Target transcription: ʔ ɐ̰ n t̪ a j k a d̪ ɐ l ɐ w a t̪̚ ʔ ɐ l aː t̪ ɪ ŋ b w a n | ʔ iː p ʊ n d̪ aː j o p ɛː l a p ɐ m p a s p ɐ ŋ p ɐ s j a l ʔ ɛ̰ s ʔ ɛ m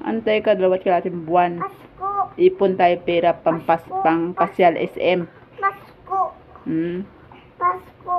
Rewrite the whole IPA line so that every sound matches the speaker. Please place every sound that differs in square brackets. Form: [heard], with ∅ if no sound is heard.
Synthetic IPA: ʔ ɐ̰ n t̪ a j k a d̪ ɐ l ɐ w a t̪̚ [k] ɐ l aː t̪ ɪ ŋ b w a n | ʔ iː p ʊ n [t̪] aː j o p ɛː [ɾ] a p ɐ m p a s p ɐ ŋ p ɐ s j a l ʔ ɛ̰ s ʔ ɛ m